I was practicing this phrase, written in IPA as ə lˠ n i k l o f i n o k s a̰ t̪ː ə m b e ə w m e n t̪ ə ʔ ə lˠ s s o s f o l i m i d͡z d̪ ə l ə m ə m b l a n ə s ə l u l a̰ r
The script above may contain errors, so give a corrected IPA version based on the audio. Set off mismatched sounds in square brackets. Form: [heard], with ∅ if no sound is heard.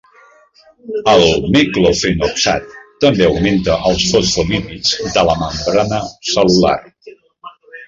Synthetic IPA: ə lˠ [m] i k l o f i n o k s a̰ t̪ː ə m b e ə w m e n t̪ ə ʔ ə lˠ s [f] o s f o l i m i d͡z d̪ ə l ə m ə m b [ɾ] a n ə s ə l u l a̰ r